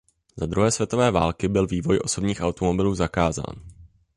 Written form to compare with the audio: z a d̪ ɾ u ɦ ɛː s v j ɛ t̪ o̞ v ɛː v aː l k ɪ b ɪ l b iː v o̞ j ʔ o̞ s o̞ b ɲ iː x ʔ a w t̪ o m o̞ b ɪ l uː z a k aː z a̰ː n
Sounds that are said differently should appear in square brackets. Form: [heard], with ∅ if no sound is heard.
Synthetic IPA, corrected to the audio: z a d̪ ɾ u ɦ ɛː s v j ɛ t̪ o̞ v ɛː v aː l k ɪ b ɪ l [v] iː v o̞ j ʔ o̞ s o̞ b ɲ iː x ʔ a w t̪ o m o̞ b ɪ l uː z a k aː z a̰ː n